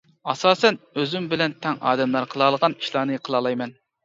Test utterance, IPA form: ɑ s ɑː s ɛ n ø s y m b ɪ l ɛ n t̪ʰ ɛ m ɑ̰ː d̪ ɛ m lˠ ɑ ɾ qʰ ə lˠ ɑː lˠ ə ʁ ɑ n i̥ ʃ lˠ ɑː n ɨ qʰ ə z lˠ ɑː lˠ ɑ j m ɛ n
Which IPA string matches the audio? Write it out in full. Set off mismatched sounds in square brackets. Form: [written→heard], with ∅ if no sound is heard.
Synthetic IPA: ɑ s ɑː s ɛ n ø [s→z] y m b ɪ l ɛ n t̪ʰ ɛ [m→ŋ] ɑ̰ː d̪ ɛ m lˠ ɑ ɾ qʰ ə lˠ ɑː lˠ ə ʁ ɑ n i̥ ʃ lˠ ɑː n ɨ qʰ ə [z→∅] lˠ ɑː lˠ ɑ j m ɛ n